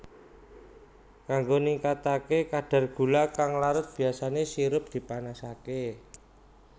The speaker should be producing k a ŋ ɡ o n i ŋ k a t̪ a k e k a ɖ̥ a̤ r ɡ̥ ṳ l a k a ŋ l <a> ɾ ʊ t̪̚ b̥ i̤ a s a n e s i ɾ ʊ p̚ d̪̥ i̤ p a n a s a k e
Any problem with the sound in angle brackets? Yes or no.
no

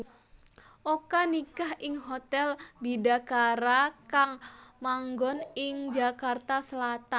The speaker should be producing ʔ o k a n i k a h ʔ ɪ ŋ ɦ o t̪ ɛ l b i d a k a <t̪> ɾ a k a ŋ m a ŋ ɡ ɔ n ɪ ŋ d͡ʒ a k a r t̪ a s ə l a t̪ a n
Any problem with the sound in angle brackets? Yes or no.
yes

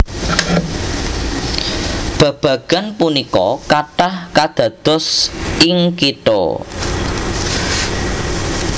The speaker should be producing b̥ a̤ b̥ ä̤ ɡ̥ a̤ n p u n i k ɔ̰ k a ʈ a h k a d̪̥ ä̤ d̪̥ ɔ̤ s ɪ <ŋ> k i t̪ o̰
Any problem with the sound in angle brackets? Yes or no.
no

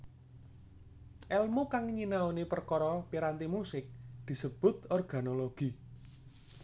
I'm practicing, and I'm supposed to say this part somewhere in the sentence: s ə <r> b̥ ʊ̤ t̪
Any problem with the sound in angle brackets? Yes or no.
yes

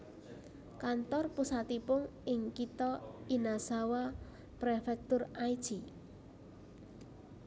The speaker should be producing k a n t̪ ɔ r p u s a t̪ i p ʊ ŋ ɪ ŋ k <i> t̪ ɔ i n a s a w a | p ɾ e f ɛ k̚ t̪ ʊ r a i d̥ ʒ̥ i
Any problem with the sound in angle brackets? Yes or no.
no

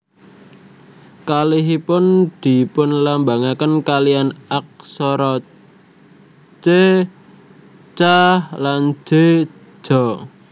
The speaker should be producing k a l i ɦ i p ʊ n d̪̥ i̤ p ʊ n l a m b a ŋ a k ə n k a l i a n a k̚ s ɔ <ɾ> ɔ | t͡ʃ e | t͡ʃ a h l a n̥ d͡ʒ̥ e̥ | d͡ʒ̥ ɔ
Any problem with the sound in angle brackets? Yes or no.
no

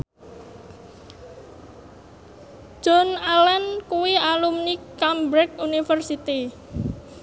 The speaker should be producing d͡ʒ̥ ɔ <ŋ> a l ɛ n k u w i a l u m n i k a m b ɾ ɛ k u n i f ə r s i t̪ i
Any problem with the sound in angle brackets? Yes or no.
yes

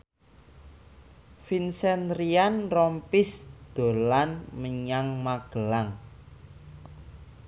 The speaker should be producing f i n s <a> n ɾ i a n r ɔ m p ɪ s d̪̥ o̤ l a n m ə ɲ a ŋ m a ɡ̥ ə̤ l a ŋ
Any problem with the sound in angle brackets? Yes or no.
yes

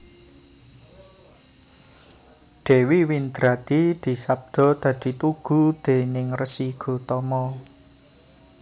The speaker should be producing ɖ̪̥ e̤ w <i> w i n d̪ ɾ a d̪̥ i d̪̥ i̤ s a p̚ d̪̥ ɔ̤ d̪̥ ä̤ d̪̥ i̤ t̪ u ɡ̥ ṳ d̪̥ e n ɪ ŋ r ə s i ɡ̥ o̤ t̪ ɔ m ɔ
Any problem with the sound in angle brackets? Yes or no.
no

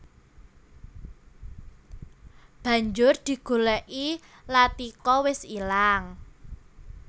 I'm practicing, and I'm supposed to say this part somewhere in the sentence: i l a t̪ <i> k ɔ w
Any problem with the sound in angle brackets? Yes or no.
no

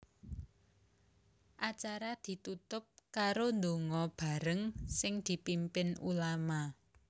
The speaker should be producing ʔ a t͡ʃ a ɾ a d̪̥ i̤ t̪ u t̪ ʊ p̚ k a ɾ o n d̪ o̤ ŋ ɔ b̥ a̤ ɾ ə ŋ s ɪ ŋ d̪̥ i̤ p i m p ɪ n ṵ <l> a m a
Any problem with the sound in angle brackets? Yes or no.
no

